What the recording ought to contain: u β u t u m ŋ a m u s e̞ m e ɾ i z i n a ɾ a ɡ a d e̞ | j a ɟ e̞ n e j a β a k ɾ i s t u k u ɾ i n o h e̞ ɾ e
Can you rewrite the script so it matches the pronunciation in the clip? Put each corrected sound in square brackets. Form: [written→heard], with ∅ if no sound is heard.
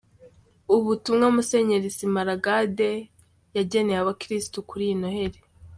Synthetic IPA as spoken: u β u t u m ŋ a m u s e̞ [m→ɲ] e ɾ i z i [n→m] a ɾ a ɡ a d e̞ | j a ɟ e̞ n e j a β a k ɾ i s t u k u ɾ i n o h e̞ ɾ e